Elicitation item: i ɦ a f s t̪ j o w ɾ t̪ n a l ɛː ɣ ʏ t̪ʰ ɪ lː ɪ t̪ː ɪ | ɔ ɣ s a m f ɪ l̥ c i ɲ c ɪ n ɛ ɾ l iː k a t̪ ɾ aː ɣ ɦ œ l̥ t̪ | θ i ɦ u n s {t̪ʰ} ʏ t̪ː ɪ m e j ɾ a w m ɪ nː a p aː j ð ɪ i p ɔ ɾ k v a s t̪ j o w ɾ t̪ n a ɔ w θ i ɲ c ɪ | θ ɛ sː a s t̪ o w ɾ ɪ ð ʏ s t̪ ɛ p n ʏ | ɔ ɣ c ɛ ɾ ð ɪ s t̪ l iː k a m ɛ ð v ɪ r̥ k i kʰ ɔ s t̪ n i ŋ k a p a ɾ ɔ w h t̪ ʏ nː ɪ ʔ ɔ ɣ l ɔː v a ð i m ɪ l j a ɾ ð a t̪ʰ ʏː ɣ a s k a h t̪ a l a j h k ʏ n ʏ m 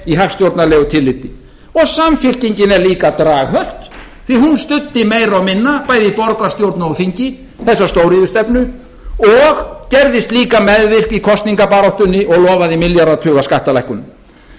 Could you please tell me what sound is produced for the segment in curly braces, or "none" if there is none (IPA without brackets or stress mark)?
t̪